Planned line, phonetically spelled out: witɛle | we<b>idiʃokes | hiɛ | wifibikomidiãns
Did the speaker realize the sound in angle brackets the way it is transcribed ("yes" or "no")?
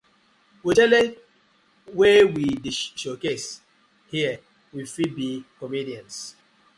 no